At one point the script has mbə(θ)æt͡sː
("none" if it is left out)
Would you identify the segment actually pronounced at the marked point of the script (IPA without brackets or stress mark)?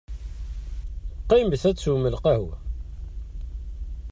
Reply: θ